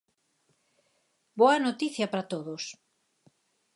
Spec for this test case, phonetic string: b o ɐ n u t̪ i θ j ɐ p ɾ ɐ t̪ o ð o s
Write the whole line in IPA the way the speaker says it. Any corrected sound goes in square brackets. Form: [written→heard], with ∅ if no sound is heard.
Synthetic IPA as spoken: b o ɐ n [u→o] t̪ i θ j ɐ p ɾ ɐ t̪ o ð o s